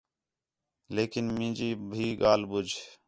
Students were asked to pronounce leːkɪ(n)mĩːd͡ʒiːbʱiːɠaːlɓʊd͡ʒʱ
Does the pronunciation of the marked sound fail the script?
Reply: no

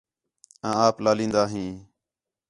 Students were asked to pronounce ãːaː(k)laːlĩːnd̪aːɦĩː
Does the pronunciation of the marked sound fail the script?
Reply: yes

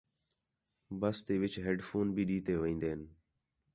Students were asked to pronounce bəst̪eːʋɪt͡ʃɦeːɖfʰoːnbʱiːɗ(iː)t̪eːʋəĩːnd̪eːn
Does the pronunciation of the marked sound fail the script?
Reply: no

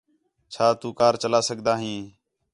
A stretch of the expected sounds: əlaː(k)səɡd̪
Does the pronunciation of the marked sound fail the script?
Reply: yes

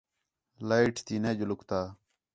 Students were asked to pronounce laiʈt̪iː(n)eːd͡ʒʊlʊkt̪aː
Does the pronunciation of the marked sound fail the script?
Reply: no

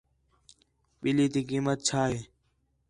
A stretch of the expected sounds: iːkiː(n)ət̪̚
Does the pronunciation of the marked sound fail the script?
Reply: yes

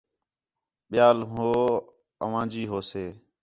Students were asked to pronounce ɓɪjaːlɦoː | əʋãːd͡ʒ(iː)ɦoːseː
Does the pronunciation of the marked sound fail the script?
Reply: no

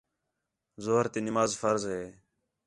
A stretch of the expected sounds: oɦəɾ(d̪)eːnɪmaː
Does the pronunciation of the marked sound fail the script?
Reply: yes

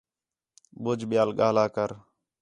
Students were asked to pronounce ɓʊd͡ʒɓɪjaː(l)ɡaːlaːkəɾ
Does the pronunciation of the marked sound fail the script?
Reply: no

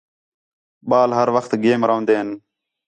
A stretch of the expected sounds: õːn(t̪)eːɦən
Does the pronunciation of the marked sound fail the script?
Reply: yes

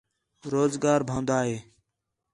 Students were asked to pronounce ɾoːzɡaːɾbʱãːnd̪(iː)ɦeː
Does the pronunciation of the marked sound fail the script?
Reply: yes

